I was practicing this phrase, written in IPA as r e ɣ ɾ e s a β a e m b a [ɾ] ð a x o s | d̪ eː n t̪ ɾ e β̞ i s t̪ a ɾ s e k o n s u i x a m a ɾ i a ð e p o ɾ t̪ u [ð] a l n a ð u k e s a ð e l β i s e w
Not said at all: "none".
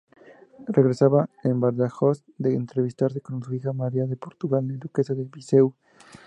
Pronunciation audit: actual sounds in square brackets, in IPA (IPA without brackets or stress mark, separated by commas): ɾ, ɣ